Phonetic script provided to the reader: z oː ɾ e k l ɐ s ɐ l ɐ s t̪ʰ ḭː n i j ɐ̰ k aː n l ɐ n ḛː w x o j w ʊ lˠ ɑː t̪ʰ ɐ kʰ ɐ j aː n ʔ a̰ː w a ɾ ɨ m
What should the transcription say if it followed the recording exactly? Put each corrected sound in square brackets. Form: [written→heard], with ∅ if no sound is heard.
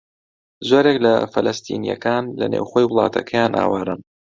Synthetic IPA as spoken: z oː ɾ e k l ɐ [s→f] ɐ l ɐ s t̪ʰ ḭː n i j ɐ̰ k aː n l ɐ n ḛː w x o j w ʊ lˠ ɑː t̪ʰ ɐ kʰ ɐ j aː n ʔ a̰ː w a ɾ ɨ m

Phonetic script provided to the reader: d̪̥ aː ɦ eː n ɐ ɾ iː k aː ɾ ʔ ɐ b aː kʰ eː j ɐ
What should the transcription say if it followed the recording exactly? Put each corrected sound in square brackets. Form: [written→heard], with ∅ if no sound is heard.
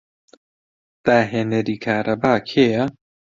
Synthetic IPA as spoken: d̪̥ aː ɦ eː n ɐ ɾ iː [k→kʰ] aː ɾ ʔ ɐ b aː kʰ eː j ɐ

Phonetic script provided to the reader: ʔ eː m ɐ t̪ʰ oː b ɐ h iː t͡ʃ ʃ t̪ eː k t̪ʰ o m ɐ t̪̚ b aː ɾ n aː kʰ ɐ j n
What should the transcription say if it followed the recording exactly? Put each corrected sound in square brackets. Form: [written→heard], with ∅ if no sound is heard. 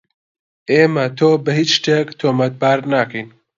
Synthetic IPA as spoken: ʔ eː m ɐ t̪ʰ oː b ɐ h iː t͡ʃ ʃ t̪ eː k t̪ʰ o m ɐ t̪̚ b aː ɾ n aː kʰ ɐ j n

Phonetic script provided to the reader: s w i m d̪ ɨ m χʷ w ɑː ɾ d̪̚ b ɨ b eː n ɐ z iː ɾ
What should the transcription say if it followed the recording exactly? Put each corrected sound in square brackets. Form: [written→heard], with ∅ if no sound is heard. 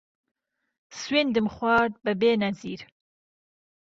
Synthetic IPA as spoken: s w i [m→n] d̪ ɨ m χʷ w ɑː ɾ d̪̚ b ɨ b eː n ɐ z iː ɾ

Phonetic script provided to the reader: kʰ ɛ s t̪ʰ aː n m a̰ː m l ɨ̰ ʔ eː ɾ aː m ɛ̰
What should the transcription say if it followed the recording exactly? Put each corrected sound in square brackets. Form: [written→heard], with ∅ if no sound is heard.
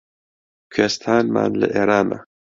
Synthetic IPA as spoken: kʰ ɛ s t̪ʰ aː n m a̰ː [m→n] l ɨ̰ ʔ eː ɾ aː m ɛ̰

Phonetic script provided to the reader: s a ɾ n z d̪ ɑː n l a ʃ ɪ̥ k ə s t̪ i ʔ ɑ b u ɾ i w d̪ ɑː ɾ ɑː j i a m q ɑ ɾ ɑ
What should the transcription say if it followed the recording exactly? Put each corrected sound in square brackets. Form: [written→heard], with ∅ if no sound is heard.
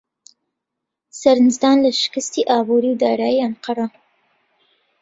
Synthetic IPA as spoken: s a ɾ n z d̪ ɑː n l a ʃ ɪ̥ k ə s t̪ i ʔ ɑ b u ɾ i w d̪ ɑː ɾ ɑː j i a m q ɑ ɾ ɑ

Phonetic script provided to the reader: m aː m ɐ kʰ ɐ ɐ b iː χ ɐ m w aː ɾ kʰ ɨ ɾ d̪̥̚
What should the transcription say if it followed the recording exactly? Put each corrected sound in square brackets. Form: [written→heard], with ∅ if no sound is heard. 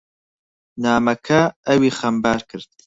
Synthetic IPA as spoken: [m→n] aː m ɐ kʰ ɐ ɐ [b→w] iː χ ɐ m [w→b] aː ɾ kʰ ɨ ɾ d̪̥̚

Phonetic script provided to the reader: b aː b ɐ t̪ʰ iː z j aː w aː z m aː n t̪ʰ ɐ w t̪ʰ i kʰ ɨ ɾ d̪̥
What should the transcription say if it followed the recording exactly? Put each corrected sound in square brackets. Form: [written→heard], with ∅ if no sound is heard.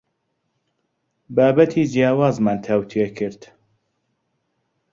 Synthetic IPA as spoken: b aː b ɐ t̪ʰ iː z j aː w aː z m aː n t̪ʰ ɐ w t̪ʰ [i→e] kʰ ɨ ɾ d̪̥

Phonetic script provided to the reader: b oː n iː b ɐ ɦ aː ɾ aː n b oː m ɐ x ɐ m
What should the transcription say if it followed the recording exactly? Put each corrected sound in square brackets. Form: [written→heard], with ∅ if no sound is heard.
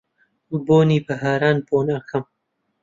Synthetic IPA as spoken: b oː n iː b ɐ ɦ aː ɾ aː n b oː [m→n] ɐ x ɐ m

